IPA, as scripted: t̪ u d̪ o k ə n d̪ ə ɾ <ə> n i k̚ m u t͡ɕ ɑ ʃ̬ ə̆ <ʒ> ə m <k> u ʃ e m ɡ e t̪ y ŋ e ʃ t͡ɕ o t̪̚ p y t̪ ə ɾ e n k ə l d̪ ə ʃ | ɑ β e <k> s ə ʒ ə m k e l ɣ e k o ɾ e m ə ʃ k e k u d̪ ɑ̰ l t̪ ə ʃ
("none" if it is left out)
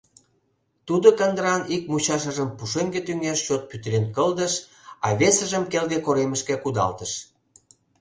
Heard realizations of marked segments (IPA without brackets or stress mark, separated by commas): ɑ, ʒ, p, none